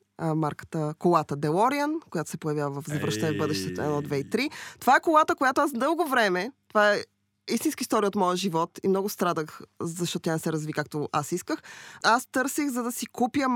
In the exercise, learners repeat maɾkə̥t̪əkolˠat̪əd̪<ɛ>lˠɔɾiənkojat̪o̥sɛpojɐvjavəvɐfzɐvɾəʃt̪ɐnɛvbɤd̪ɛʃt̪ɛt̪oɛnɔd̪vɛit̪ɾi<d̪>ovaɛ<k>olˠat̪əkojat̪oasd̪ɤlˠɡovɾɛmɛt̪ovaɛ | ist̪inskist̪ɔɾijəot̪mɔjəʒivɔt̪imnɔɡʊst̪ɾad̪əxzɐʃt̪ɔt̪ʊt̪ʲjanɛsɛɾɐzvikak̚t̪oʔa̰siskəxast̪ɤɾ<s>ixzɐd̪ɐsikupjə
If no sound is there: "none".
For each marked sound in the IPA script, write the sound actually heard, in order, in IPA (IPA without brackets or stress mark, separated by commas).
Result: ɛ, t̪, k, s